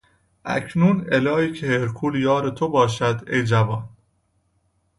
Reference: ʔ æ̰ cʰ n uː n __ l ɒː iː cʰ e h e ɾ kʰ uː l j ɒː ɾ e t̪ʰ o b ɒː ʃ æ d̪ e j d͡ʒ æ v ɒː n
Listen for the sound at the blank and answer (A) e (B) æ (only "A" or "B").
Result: A